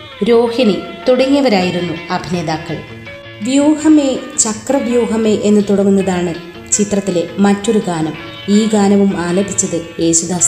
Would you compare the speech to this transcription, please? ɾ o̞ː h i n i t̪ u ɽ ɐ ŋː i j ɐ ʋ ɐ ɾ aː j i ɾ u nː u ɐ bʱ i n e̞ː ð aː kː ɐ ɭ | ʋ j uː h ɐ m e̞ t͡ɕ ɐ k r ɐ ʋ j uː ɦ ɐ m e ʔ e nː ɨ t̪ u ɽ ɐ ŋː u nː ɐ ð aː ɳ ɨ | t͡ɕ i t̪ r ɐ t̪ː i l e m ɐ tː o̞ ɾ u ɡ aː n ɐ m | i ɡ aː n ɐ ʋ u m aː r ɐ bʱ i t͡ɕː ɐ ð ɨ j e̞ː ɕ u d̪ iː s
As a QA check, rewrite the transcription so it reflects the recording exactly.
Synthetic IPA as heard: ɾ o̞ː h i n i t̪ u ɽ ɐ ŋː i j ɐ ʋ ɐ ɾ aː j i ɾ u nː u ɐ bʱ i n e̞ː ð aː kː ɐ ɭ | ʋ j uː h ɐ m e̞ t͡ɕ ɐ k r ɐ ʋ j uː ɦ ɐ m e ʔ e nː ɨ t̪ u ɽ ɐ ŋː u nː ɐ ð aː ɳ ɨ | t͡ɕ i t̪ r ɐ t̪ː i l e m ɐ tː o̞ ɾ u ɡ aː n ɐ m | iː ɡ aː n ɐ ʋ u m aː l ɐ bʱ i t͡ɕː ɐ ð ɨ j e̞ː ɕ u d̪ aː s